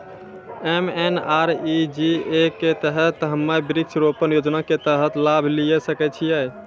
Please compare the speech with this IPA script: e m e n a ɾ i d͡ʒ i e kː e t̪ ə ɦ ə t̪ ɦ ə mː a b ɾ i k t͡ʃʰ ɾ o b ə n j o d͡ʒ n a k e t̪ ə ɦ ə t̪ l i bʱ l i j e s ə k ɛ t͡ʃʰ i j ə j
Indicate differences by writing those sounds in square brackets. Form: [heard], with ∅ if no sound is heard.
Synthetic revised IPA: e m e n a ɾ i d͡ʒ i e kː e t̪ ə ɦ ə t̪ ɦ ə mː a b ɾ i k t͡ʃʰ ɾ o [p] ə n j o d͡ʒ n a k e t̪ ə ɦ ə t̪ l [a] bʱ l i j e s ə k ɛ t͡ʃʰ i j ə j